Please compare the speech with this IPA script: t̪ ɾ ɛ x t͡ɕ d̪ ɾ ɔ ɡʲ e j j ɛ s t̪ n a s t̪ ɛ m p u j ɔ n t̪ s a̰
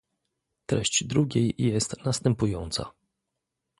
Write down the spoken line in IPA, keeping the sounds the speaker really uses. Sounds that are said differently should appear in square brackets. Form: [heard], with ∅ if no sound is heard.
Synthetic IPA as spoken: t̪ ɾ ɛ [ɕ] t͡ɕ d̪ ɾ [u] ɡʲ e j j ɛ s t̪ n a s t̪ ɛ m p u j ɔ n t̪ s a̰